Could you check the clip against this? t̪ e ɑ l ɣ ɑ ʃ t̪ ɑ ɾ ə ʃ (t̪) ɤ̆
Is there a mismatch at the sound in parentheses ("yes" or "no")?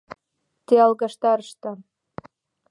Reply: no